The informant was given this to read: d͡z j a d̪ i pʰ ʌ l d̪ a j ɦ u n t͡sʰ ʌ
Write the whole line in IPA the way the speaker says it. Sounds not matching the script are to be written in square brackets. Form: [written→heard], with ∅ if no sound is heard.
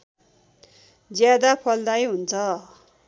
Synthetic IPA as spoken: d͡z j a d̪ [i→a] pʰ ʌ l d̪ a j ɦ u n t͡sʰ ʌ